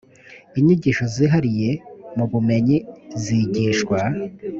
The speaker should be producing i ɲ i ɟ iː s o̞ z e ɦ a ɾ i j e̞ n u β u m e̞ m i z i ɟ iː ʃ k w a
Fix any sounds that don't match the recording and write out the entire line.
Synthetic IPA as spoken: i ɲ i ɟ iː ʃ o̞ z i ɦ a ɾ i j e̞ m u β u m e̞ ɲ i z i ɟ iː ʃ k w a